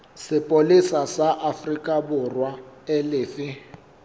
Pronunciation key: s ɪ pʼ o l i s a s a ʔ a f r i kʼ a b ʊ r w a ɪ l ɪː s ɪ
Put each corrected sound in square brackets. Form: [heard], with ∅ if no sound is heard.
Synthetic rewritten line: s ɪ pʼ o l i s a s a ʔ a f r i kʼ a b ʊ r w a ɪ l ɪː [f] ɪ